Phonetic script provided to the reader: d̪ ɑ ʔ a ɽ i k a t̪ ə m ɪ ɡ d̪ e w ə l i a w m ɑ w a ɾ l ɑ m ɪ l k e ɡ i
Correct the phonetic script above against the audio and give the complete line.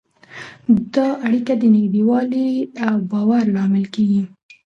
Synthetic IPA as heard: d̪ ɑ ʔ a ɽ i k a d̪ ə n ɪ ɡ d̪ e w ɑ l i a w b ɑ w a ɾ l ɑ m ɪ l k e ɡ i